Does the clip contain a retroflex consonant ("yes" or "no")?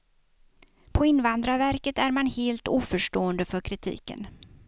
yes